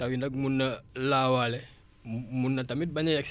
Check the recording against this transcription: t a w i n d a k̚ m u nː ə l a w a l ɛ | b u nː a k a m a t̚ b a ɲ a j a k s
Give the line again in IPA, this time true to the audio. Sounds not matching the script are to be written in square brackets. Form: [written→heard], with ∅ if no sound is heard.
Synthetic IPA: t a w i n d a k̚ m u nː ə l a w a l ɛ | [b→m] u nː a [k→t] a m [a→i] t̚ b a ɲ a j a k s